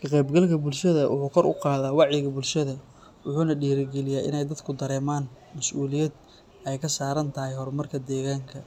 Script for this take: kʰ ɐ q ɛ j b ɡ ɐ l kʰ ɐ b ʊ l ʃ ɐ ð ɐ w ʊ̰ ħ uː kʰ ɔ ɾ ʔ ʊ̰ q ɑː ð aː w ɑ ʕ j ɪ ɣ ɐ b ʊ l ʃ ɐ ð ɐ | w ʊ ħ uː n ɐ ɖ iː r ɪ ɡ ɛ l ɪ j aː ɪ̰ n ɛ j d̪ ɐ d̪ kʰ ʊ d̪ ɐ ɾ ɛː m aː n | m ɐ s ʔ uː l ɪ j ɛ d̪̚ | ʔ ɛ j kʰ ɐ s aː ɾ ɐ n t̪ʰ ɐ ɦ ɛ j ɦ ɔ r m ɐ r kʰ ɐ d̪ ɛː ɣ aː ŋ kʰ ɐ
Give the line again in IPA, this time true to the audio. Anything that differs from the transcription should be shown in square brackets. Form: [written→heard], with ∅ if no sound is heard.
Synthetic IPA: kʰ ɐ q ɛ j b ɡ ɐ l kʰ ɐ b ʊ l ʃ ɐ ð ɐ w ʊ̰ ħ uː kʰ ɔ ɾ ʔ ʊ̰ q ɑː ð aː w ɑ ʕ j ɪ ɣ ɐ b ʊ l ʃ ɐ ð ɐ | w ʊ ħ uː n ɐ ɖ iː [r→ɾ] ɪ ɡ ɛ l ɪ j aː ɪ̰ n ɛ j d̪ ɐ d̪ kʰ ʊ d̪ ɐ ɾ ɛː m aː n | m ɐ s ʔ uː l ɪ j ɛ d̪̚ | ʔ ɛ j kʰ ɐ s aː ɾ ɐ n t̪ʰ ɐ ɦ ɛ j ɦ ɔ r m ɐ r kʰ ɐ d̪ ɛː ɣ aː ŋ kʰ ɐ